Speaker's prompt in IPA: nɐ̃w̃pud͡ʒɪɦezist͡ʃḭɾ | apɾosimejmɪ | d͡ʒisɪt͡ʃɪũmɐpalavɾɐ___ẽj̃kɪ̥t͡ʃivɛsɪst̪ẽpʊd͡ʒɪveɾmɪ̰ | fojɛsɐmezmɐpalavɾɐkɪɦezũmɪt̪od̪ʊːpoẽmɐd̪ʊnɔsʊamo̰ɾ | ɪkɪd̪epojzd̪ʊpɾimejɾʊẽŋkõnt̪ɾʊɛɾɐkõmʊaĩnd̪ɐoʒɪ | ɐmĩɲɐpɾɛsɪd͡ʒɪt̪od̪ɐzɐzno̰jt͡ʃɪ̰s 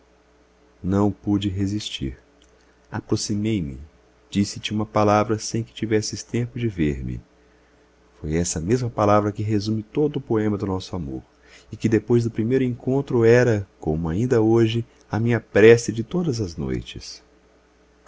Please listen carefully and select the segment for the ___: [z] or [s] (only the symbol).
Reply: s